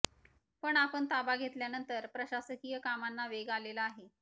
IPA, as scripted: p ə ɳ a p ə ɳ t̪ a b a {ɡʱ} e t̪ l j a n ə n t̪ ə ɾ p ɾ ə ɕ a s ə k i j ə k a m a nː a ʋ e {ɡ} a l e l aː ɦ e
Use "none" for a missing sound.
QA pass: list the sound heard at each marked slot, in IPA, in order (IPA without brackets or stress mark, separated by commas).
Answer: ɡʱ, ɡ